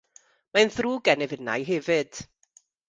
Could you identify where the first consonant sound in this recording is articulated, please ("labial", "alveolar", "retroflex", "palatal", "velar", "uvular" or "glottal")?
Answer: labial